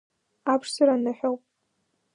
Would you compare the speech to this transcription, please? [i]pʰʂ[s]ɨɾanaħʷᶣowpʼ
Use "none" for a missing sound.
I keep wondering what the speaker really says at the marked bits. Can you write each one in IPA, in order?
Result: a, s

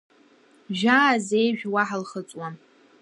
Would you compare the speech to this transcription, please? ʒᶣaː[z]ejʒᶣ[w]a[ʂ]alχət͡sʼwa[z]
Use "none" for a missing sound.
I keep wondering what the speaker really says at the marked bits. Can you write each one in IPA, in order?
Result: z, w, ħ, none

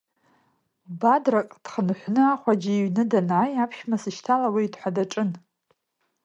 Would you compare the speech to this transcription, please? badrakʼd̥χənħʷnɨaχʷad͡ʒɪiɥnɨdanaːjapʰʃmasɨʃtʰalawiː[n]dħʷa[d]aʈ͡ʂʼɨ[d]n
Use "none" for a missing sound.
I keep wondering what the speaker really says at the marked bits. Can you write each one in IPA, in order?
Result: none, d, none

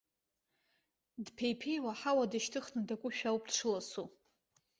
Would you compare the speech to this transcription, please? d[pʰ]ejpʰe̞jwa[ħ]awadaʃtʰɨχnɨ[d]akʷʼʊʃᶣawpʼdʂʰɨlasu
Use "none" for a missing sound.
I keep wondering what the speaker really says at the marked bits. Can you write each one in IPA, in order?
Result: pʰ, ħ, d

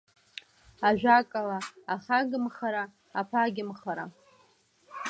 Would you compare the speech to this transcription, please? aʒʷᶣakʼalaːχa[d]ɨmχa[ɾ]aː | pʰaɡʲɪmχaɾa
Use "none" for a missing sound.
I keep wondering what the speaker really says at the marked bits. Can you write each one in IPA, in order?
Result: ɡ, ɾ

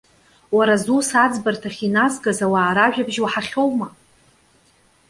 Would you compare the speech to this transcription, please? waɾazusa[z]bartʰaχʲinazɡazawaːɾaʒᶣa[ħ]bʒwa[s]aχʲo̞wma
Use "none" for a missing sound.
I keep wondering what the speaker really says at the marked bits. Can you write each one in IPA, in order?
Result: d͡z, none, ħ

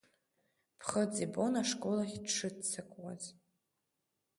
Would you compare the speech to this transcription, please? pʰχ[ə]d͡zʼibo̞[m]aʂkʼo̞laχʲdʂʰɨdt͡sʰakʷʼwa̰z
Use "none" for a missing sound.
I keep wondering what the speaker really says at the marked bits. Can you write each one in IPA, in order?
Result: ə, n

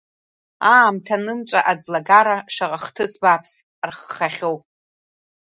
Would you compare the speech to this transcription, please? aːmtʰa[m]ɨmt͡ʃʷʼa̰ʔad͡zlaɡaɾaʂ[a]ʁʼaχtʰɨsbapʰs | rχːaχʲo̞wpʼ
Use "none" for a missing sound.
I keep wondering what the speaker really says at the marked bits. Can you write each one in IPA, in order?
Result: n, a

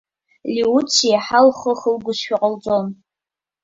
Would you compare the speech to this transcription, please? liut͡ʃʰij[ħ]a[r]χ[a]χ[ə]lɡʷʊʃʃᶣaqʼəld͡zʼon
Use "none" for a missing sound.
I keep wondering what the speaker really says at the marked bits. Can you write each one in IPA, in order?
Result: ħ, l, ə, ə

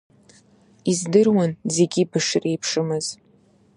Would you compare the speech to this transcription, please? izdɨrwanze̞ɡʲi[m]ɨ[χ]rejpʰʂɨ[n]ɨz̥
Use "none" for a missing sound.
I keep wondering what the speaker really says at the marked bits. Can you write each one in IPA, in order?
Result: b, ʂ, m

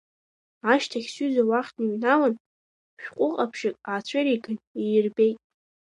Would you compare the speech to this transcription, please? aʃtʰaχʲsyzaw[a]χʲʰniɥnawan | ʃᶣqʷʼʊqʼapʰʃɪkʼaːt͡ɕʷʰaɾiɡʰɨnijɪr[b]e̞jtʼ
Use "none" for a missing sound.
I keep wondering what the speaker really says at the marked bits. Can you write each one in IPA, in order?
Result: a, b

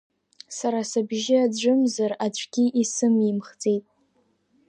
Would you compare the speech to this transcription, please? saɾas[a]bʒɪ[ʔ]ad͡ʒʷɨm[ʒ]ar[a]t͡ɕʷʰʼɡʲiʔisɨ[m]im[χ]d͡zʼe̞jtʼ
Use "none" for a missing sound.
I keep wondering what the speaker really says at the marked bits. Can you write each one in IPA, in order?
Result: a, none, z, a, m, χ

